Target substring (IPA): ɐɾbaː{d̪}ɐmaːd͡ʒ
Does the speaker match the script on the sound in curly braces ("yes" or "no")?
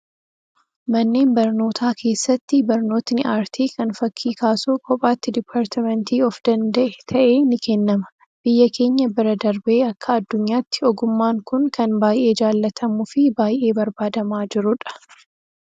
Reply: yes